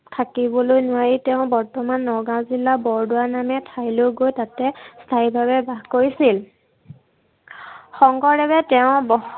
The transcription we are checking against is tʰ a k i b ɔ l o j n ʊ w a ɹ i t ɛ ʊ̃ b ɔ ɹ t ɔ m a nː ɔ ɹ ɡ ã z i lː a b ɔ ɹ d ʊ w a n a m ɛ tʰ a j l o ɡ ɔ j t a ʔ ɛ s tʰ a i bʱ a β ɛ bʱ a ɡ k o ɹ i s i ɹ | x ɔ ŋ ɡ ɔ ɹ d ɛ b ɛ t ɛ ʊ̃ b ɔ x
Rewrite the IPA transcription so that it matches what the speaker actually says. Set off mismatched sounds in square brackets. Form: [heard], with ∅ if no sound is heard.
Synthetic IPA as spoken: tʰ a k i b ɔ l o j n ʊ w a ɹ i t ɛ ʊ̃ b ɔ ɹ t ɔ m a nː ɔ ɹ ɡ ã z i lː a b ɔ ɹ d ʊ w a n a m ɛ tʰ a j l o ɡ [o] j t a [t] ɛ s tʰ a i bʱ a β ɛ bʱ a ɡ k o ɹ i s i [l] | x ɔ ŋ ɡ ɔ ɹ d ɛ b ɛ t ɛ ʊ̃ b ɔ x